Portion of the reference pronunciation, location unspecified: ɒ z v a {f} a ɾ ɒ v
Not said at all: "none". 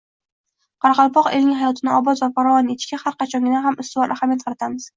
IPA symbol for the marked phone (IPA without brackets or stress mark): f